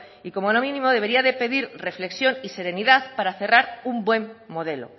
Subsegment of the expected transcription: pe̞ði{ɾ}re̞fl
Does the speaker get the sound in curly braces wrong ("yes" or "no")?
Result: no